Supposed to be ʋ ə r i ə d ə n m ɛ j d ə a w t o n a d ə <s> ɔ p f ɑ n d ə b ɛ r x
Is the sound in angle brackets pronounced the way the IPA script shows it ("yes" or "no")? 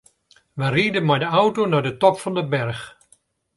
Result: no